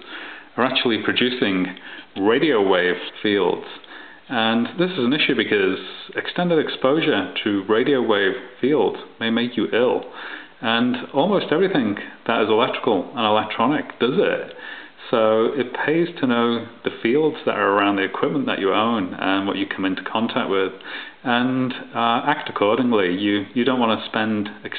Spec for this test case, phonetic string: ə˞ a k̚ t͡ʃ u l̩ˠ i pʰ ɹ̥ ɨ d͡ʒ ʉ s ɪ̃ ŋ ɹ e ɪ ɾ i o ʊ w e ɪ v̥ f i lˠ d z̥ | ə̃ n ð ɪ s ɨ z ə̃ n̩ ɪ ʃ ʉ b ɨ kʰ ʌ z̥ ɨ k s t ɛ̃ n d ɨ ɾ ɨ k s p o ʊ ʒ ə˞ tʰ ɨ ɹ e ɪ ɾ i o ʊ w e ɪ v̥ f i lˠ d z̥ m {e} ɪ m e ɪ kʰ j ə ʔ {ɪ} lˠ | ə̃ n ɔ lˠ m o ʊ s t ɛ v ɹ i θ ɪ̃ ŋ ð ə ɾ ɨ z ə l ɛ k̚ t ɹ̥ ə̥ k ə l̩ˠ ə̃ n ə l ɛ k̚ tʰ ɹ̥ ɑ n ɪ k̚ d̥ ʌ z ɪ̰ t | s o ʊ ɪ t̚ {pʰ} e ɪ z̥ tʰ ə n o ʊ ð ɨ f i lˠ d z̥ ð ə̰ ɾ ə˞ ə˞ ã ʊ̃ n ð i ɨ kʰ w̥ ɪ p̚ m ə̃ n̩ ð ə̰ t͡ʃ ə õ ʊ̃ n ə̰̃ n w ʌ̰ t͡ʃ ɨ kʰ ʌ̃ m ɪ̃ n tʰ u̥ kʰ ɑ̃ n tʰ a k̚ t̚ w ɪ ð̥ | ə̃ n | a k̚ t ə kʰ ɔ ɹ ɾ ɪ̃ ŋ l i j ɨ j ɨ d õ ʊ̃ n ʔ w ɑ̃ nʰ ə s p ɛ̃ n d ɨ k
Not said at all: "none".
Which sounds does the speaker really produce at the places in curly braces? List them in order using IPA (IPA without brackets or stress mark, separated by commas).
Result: e, ɪ, pʰ